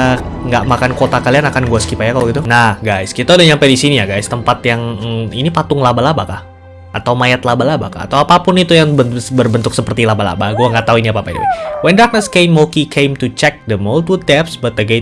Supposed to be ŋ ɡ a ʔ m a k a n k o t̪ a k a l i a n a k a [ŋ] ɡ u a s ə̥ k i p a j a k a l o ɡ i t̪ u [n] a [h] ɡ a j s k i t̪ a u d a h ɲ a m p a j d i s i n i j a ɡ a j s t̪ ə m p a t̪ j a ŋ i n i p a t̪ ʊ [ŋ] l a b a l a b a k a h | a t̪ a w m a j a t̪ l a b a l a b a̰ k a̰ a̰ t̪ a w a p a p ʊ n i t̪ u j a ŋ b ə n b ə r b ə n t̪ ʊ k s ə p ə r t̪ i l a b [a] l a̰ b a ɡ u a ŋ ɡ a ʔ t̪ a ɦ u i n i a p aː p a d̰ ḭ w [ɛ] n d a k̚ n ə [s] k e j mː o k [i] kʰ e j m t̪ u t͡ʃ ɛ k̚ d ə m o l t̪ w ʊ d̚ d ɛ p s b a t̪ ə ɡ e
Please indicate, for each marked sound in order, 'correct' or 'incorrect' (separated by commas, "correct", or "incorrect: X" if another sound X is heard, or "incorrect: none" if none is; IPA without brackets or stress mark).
incorrect: n, correct, correct, correct, correct, correct, correct, correct